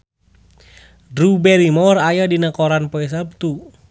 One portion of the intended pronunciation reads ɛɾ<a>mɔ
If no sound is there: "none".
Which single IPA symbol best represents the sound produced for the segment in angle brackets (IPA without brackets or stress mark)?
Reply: i